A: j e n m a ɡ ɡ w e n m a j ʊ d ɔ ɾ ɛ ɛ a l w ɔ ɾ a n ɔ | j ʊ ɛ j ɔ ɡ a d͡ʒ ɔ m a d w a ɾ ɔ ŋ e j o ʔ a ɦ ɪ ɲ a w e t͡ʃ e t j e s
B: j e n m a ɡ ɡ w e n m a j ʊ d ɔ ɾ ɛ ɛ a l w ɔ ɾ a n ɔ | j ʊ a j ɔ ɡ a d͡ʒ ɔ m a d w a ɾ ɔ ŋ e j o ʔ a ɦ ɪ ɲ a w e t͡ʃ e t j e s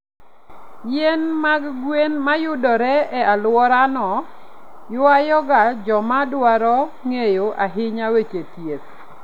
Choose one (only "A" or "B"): B